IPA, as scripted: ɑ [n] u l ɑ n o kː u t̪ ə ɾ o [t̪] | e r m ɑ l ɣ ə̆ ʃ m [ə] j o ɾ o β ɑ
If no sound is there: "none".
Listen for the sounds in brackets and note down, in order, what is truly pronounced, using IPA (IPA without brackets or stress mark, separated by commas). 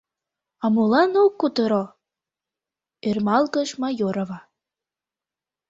m, none, ɑ